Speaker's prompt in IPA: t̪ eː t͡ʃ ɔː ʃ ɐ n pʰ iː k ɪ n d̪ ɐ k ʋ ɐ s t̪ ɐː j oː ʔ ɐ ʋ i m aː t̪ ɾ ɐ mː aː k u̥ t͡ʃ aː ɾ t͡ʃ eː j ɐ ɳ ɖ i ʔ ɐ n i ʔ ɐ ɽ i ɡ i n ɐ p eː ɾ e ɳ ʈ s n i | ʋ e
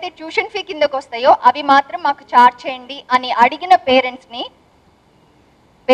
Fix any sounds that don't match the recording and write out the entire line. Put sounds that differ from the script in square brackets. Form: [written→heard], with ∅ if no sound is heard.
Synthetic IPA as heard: t̪ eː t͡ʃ [ɔː→uː] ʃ ɐ n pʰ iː k [ɪ→i] n d̪ ɐ k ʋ ɐ s t̪ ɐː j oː ʔ ɐ ʋ i m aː t̪ ɾ ɐ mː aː k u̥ t͡ʃ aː ɾ t͡ʃ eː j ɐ ɳ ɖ i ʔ ɐ n i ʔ ɐ ɽ i ɡ i n ɐ p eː ɾ e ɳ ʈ s n i | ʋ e